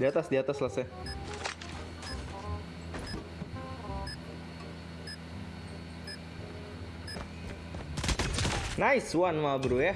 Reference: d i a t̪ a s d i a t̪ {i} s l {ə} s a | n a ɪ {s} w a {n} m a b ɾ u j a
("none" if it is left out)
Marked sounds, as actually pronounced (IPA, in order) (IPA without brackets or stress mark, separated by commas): a, a, s, n